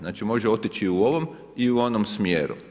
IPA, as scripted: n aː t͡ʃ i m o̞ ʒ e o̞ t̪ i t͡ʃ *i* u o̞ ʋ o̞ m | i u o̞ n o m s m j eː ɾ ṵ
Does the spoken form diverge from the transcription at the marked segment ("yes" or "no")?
no